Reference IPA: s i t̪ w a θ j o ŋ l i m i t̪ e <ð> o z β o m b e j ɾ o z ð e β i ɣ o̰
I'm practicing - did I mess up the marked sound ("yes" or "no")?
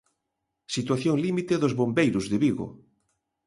no